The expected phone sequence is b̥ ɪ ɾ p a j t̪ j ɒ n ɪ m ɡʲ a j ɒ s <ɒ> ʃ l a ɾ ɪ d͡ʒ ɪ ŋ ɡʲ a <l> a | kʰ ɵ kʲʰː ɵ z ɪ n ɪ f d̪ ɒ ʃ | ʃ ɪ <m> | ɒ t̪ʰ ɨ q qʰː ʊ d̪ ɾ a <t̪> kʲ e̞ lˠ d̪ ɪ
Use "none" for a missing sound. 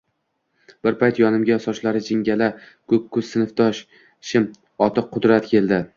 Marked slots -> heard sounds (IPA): ɒ, l, m, t̪

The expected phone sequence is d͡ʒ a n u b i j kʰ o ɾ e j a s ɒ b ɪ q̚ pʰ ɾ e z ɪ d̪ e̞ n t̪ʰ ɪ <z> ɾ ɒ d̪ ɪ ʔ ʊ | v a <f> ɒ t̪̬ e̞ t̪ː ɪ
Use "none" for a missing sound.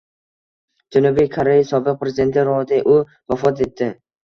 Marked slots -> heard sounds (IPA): none, f

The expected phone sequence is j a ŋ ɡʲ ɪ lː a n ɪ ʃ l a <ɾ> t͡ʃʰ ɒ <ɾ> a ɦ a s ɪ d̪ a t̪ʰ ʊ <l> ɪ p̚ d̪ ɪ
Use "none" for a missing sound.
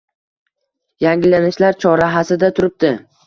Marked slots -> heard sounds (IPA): ɾ, ɾ, ɾ

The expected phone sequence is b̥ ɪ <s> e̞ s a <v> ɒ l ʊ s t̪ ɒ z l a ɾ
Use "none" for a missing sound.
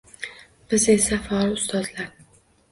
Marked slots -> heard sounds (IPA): z, f

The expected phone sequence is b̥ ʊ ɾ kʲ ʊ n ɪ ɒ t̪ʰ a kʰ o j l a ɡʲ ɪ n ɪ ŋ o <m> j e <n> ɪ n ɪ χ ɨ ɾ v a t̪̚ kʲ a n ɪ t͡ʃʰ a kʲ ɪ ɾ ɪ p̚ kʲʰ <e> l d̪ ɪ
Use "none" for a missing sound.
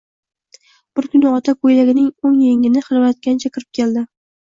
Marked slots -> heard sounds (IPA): ŋ, ŋ, e

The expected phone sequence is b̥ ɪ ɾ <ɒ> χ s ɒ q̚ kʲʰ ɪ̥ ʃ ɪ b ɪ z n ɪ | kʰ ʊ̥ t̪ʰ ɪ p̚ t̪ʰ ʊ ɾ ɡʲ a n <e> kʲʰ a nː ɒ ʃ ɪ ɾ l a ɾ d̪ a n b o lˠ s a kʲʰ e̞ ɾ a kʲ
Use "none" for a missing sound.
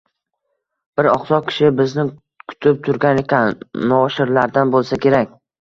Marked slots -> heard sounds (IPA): ɒ, e

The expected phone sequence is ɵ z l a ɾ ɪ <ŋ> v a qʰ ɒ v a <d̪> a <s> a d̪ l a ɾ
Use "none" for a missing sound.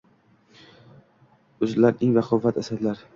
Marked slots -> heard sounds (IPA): ŋ, t̪, s

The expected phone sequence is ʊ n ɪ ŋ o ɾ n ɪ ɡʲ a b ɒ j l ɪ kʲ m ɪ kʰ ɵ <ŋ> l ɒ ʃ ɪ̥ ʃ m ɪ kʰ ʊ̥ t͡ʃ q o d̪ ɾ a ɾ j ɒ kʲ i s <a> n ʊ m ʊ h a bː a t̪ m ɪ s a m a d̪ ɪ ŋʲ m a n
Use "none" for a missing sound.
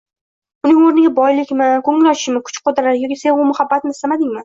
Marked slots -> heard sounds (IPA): ŋ, e

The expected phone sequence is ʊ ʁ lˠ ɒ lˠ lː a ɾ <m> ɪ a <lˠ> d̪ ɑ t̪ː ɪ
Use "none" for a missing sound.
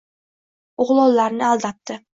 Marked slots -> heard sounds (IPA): n, lˠ

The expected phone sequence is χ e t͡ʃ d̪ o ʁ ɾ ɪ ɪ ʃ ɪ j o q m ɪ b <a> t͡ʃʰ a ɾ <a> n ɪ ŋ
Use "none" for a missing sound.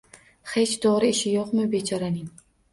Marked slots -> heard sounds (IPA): e, a

